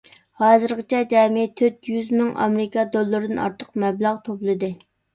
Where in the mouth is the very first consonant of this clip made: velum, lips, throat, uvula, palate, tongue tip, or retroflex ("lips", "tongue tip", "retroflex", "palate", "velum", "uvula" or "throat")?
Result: throat